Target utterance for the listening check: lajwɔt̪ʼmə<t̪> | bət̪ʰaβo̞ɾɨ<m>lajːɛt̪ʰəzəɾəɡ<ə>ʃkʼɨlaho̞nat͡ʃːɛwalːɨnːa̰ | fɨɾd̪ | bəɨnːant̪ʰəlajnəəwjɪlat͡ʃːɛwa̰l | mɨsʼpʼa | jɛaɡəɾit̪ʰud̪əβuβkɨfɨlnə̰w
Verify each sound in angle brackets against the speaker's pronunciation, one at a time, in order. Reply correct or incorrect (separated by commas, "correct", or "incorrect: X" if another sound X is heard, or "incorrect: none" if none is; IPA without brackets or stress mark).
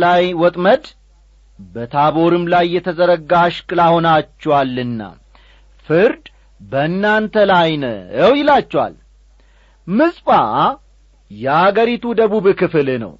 incorrect: d̪, correct, incorrect: a